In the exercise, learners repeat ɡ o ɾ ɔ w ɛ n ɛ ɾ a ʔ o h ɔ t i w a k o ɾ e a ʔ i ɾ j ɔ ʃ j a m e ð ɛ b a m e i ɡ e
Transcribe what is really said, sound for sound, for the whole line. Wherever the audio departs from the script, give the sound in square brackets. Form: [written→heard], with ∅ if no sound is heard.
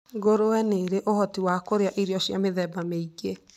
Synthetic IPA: ɡ o ɾ [ɔ→o] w ɛ n [ɛ→e] ɾ [a→e] ʔ o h ɔ t i w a k o ɾ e a ʔ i ɾ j ɔ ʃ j a m e ð ɛ b a m e i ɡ e